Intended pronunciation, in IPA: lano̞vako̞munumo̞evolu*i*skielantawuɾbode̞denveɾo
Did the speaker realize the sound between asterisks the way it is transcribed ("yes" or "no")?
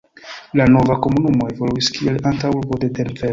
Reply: yes